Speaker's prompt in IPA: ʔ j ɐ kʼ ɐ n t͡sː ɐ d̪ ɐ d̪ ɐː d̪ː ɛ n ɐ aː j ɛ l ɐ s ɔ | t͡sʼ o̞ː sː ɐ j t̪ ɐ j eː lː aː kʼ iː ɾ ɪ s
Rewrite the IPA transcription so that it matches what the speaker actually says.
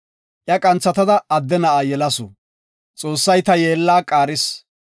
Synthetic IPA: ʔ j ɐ kʼ ɐ n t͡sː ɐ t̪ ɐ d̪ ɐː d̪ː ɛ n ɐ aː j ɛ l ɐ s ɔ | t͡sʼ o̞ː sː ɐ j t̪ ɐ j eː lː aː kʼ aː ɾ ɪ s